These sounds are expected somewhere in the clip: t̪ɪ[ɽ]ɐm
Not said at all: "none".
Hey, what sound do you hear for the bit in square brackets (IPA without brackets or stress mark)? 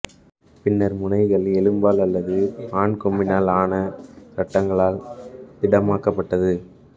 ɽ